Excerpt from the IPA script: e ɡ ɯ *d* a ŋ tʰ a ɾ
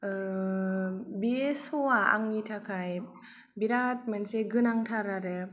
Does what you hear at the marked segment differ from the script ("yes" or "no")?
yes